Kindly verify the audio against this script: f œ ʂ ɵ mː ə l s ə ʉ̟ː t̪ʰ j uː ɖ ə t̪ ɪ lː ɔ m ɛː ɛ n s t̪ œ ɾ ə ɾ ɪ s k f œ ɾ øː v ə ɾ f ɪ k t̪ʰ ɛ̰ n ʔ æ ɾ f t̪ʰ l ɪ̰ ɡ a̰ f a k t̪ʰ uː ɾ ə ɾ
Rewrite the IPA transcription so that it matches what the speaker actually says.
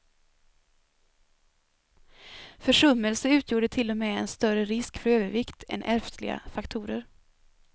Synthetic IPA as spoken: f œ ʂ ɵ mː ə l s ə ʉ̟ː t̪ʰ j uː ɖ ə t̪ʰ ɪ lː ɔ m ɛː ɛ n s t̪ œ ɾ ə ɾ ɪ s k f œ ɾ øː v ə ɾ v ɪ k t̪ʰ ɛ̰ n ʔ æ ɾ f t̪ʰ l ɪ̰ ɡ a̰ f a k t̪ʰ uː ɾ ə ɾ